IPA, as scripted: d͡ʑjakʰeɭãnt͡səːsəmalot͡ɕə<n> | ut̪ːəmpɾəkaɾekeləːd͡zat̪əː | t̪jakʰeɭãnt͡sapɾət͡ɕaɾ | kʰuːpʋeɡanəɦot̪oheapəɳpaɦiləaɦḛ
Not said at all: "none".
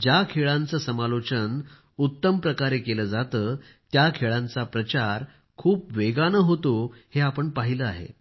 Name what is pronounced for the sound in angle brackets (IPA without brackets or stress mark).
n